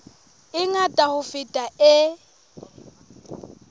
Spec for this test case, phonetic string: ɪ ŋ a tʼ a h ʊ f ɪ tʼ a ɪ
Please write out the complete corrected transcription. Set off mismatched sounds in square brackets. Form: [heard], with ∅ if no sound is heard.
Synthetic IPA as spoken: ɪ ŋ a tʼ a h ʊ f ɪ tʼ a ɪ

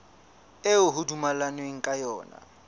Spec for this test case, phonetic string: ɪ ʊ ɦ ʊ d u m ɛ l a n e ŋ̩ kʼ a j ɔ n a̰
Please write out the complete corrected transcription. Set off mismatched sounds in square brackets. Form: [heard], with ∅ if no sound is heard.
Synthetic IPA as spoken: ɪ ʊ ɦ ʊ d u m [a] l a n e ŋ̩ kʼ a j [ɔː] n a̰

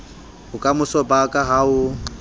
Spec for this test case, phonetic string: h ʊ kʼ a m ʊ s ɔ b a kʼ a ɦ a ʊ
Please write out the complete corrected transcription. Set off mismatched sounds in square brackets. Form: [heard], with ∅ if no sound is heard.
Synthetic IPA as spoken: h ʊ kʼ a m ʊ s ɔ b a kʼ a ɦ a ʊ

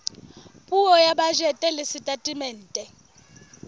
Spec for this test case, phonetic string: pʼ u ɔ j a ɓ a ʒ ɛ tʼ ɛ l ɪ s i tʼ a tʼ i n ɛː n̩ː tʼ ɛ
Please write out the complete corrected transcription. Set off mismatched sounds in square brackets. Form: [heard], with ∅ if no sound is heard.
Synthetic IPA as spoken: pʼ u ɔ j a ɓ a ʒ ɛ tʼ ɛ l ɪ s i tʼ a tʼ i [m] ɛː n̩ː tʼ ɛ

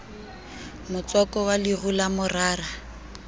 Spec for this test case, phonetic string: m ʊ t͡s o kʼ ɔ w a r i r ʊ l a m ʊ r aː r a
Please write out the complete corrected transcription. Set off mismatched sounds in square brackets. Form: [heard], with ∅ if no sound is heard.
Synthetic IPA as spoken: m ʊ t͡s [ɔ] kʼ ɔ w a [l] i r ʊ l a m ʊ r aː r a

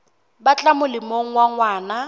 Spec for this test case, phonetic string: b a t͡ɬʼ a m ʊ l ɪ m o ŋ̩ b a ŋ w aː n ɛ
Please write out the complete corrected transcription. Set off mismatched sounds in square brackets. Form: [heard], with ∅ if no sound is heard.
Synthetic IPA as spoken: b a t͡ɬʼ a m ʊ l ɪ m o ŋ̩ [w] a ŋ w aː n [a]

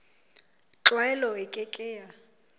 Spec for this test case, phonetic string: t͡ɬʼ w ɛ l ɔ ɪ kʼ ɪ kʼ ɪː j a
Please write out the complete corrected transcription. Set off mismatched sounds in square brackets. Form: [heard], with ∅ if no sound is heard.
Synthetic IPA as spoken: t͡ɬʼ w ɛ l ɔ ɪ kʼ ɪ kʼ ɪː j a

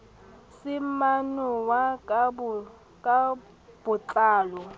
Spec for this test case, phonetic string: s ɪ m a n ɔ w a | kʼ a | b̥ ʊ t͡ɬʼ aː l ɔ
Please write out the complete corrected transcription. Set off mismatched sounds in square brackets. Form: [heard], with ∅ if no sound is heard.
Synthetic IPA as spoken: s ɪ m a n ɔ w a | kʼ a | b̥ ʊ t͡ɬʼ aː l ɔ

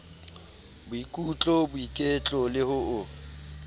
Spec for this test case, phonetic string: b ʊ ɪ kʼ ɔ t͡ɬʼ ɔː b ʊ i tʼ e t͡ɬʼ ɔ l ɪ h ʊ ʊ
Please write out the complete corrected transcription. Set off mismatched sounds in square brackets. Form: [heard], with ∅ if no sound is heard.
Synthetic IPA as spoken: b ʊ [i] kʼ [u] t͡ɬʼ [ɔ] b ʊ i [kʼ] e t͡ɬʼ ɔ l ɪ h ʊ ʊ

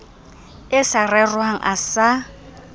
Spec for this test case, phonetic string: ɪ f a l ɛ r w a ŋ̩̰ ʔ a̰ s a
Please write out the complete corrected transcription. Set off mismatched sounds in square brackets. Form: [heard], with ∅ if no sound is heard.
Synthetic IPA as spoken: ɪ [s] a [r] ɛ r w a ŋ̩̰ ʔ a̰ s a

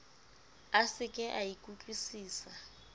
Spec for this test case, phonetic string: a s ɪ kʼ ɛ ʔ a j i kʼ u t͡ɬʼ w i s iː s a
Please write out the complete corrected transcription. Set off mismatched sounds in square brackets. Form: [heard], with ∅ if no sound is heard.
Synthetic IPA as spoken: a s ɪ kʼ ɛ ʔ a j i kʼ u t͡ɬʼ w i s iː s a

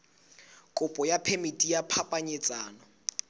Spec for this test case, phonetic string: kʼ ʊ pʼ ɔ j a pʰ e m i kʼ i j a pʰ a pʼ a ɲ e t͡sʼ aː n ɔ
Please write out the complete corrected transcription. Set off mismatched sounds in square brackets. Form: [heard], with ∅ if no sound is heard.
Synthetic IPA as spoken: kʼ ʊ pʼ ɔ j a pʰ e m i [tʼ] i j a pʰ a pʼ a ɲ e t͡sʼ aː n ɔ

